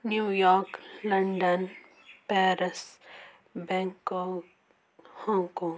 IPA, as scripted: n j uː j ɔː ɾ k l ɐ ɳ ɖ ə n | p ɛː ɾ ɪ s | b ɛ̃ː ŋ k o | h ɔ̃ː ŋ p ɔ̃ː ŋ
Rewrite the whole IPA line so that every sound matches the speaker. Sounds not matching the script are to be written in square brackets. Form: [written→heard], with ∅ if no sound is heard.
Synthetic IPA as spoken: n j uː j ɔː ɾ k l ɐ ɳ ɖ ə n | p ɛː ɾ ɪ s | b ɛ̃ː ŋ k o | h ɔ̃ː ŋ [p→k] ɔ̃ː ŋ